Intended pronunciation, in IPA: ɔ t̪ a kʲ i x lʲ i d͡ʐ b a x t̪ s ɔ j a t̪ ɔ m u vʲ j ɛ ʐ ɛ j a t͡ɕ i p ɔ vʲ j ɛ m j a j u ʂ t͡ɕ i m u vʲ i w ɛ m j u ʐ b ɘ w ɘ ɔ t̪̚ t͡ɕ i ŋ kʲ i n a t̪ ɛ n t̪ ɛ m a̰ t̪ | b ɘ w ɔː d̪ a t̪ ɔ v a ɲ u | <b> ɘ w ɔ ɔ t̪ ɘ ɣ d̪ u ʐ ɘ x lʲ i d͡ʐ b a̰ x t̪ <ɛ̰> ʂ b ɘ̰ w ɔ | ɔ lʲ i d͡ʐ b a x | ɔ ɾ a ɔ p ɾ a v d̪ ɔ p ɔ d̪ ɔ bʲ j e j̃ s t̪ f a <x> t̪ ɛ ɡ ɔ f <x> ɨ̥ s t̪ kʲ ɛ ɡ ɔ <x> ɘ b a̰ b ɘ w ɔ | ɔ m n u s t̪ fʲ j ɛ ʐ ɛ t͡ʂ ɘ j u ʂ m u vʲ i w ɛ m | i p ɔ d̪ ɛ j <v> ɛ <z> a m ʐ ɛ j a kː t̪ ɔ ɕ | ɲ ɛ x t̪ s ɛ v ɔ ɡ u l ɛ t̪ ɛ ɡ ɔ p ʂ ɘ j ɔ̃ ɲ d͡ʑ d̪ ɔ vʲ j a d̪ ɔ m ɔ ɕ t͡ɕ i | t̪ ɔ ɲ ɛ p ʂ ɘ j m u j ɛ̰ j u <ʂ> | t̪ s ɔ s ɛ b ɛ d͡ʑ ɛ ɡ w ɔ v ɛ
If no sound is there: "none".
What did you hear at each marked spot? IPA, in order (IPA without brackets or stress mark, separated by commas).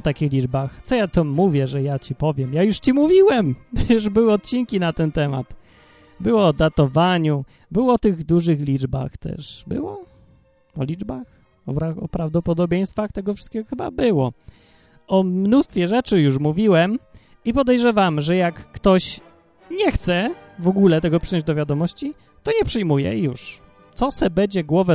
b, ɛ̰, x, ʂ, x, ʐ, v, ʂ